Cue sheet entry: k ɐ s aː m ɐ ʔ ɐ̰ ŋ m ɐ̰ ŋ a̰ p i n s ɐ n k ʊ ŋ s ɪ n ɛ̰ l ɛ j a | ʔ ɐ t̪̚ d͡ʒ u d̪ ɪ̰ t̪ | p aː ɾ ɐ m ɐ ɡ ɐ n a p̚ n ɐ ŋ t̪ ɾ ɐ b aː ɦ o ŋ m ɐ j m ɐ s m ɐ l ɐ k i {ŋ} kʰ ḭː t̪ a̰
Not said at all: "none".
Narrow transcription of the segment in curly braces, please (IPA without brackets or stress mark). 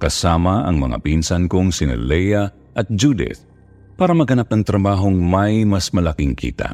ŋ